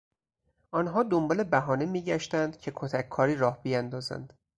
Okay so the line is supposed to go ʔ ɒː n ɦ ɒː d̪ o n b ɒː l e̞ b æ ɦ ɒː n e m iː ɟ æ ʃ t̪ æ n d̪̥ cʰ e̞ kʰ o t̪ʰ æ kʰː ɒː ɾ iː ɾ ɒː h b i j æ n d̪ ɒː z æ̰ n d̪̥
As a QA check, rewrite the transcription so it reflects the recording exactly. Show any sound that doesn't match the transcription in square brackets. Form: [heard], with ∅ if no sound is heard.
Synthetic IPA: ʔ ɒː n ɦ ɒː d̪ o [m] b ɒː l e̞ b æ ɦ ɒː n e m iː ɟ æ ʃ t̪ æ n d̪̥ cʰ e̞ kʰ o t̪ʰ æ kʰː ɒː ɾ iː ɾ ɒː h b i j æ n d̪ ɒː z æ̰ n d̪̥